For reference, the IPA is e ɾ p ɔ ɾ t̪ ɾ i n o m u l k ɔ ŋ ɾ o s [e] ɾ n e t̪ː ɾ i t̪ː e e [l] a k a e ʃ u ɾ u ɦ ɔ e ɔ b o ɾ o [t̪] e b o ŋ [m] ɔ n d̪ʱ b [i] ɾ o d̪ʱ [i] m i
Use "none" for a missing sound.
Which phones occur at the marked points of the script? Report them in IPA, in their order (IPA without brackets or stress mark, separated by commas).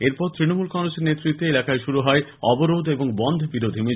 e, l, d̪, b, i, i